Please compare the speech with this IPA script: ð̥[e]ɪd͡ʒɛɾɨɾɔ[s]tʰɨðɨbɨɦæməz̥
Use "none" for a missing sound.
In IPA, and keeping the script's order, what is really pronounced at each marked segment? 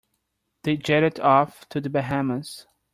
e, f

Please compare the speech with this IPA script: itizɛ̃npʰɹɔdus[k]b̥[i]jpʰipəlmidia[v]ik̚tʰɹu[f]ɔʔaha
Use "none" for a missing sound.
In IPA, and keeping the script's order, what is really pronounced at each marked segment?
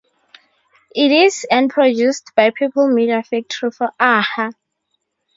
t, a, f, f

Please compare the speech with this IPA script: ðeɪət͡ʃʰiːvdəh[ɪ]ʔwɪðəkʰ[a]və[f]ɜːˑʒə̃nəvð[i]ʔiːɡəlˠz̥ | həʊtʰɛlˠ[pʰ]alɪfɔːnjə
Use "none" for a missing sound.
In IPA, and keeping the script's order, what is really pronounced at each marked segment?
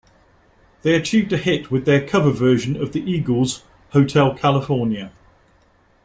ɪ, ʌ, v, i, kʰ

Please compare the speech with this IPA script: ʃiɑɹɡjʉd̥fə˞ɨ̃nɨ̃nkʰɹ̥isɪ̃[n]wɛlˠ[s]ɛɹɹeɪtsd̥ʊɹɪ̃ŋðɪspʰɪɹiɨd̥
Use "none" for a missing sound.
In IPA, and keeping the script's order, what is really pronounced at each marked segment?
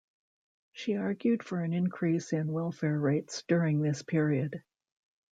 n, f

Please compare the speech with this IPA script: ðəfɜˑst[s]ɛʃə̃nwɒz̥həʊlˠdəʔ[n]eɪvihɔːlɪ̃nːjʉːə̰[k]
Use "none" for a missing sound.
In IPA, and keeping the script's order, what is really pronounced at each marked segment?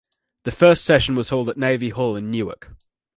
s, n, k

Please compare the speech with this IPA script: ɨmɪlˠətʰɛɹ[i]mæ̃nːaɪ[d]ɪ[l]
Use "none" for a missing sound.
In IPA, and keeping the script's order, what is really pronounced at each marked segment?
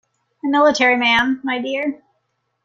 i, d, ɹ

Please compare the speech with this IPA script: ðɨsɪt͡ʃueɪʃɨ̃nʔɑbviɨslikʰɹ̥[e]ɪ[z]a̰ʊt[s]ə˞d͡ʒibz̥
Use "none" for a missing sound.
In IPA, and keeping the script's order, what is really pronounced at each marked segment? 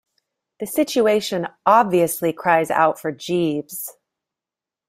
a, z, f

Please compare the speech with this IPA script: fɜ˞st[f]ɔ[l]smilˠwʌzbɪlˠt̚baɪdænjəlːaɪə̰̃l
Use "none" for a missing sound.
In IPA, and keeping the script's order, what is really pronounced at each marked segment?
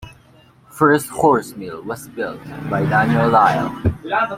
h, ɹ

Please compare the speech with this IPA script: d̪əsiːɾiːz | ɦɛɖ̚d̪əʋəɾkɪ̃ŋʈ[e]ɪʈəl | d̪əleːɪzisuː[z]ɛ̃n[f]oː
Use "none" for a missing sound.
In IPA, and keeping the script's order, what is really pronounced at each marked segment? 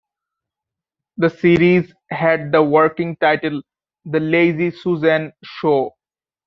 a, z, ʃ

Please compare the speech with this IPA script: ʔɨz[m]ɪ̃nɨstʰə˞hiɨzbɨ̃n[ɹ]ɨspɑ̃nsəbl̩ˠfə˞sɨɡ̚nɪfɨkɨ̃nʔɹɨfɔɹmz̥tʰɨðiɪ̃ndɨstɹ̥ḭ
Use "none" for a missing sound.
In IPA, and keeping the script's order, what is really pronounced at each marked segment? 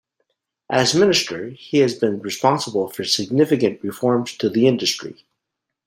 m, ɹ

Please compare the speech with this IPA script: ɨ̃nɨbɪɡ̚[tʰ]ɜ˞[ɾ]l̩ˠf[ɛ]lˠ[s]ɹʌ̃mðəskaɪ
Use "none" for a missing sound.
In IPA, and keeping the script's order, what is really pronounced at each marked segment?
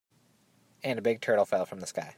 tʰ, ɾ, ɛ, f

